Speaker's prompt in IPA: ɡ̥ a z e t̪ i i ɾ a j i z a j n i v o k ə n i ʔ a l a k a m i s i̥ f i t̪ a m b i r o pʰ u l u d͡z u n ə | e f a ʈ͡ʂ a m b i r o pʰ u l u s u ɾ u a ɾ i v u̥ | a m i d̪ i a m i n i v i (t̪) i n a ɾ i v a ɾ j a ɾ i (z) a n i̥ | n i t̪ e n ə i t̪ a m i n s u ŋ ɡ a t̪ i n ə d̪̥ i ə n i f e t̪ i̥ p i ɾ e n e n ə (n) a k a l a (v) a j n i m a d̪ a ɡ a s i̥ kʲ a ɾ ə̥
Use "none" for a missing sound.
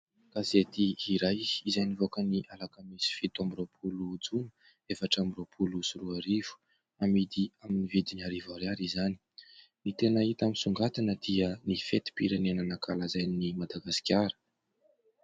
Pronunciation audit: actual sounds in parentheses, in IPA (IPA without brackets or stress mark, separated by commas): d̪, z, n, z